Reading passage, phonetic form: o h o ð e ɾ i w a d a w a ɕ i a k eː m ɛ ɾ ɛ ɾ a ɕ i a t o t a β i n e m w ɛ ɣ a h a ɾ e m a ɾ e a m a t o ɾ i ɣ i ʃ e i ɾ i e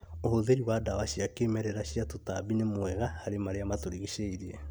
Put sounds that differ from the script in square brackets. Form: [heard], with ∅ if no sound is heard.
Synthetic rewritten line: o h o ð e ɾ i w a d a w a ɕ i a k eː m ɛ ɾ ɛ ɾ a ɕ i a t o t a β i n e m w ɛ ɣ a h a ɾ e m a ɾ e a m a t o ɾ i ɣ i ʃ e i ɾ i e

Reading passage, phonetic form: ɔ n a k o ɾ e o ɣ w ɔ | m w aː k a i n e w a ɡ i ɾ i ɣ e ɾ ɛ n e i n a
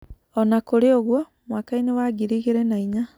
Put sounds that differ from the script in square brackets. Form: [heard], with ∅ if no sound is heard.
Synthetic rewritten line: ɔ n a k o ɾ e o ɣ w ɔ | m w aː k a i n e w a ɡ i ɾ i ɣ e ɾ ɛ n [a] i [ɲ] a

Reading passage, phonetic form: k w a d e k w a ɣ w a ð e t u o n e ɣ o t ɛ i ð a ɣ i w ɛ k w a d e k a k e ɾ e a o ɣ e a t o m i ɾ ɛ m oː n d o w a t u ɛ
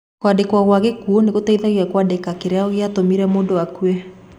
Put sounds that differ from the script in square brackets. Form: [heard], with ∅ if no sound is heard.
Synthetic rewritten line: k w a d e k w a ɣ w a [ɣ] e [k] u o n e ɣ o t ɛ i ð a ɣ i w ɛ k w a d e k a k e ɾ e a o ɣ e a t o m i ɾ ɛ m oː n d o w a [k] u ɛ

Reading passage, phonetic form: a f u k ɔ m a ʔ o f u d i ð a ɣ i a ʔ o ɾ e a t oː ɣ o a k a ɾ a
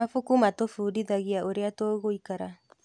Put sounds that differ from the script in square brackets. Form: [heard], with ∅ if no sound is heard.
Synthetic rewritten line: a f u k [u] m a [t] o f u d i ð a ɣ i a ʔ o ɾ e a t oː ɣ o [i] k a ɾ a

